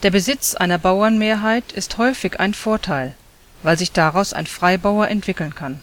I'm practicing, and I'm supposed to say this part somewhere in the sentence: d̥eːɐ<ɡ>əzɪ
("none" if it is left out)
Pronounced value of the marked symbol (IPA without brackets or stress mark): b